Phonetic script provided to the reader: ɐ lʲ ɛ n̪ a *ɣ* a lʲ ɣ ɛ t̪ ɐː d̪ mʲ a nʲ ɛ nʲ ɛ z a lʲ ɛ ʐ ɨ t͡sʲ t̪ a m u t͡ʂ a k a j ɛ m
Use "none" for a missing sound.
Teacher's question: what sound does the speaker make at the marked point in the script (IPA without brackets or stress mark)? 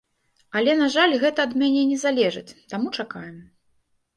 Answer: ʐ